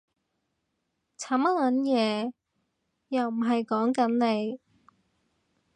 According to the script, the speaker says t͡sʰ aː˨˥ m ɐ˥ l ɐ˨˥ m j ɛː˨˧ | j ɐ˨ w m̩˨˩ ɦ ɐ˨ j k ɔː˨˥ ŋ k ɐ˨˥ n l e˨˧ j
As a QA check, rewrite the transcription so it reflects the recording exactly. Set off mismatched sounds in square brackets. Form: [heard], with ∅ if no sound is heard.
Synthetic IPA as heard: t͡sʰ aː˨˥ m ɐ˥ l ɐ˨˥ [n] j ɛː˨˧ | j ɐ˨ w m̩˨˩ ɦ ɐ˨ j k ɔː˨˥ ŋ k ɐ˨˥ n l e˨˧ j